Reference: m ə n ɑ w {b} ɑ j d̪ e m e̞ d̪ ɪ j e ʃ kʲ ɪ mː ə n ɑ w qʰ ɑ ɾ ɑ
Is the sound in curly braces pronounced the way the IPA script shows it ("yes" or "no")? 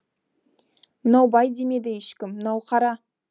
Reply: yes